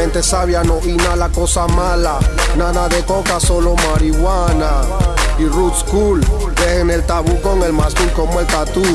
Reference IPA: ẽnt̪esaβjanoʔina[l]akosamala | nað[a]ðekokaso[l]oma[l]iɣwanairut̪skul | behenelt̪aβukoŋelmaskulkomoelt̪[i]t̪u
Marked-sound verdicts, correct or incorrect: correct, correct, correct, incorrect: ɾ, incorrect: a

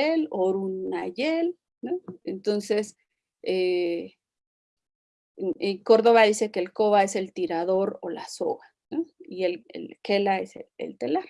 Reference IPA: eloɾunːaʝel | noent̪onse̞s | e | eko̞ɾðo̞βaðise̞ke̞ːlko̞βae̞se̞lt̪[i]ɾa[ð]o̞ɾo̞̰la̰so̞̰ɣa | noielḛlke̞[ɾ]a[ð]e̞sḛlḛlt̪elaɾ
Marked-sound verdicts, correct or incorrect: correct, correct, incorrect: l, incorrect: none

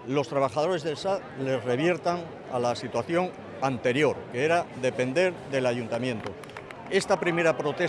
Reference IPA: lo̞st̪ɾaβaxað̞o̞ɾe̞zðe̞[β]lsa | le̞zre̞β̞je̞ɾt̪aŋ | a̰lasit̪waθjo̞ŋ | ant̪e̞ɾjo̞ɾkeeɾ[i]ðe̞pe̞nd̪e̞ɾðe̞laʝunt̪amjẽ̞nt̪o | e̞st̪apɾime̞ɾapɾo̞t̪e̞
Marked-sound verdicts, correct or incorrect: incorrect: none, incorrect: a

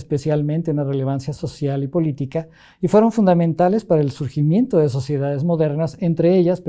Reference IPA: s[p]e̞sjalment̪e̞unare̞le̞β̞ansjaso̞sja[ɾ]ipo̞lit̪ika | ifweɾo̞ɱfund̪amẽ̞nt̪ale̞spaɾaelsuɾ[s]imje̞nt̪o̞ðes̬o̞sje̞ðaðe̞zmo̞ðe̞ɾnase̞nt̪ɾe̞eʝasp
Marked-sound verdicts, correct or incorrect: correct, incorrect: l, incorrect: x

